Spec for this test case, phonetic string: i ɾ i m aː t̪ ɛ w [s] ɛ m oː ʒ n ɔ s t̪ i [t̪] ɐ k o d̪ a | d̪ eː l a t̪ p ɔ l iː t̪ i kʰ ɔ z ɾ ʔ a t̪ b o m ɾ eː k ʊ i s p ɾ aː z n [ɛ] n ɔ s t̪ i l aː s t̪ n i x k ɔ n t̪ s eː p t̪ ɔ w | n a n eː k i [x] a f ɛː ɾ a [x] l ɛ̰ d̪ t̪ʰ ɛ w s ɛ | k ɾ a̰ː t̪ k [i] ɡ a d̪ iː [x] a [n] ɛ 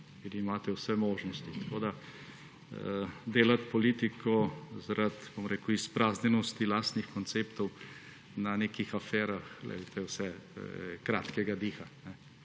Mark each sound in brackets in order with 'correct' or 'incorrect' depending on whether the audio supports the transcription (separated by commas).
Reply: correct, correct, correct, correct, correct, incorrect, correct, correct